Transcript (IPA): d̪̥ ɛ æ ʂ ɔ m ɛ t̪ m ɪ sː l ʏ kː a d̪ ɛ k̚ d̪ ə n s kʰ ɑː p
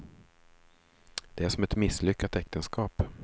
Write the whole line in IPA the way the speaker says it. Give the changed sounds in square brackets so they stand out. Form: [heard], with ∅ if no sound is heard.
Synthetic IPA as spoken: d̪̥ ɛ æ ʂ ɔ m ɛ t̪ m ɪ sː l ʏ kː a [t̪] ɛ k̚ [t̪] ə n s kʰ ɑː p